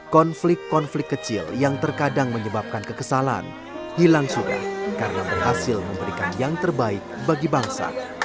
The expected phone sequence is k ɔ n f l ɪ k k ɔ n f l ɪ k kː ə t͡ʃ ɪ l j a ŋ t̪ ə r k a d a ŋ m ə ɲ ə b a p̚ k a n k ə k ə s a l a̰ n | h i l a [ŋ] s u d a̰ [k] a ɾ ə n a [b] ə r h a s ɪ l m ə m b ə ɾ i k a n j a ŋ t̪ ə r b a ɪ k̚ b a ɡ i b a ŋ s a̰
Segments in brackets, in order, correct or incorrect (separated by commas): correct, correct, correct